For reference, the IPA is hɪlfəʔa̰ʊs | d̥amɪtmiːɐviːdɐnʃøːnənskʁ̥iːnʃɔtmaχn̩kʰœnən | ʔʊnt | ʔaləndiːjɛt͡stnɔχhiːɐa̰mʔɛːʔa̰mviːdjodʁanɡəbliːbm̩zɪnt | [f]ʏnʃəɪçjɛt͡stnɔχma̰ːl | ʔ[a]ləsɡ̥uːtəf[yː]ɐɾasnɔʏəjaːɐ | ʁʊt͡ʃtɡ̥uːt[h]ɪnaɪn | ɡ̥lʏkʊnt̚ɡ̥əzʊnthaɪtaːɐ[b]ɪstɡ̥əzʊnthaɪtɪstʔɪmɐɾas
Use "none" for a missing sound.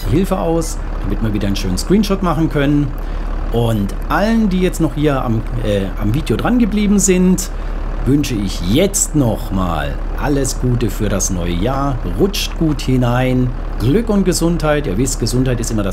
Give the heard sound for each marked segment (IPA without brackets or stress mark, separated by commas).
v, a, yː, h, v